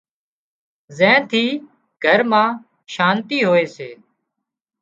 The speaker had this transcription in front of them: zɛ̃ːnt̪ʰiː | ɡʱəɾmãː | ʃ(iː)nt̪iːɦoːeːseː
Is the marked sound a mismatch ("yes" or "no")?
yes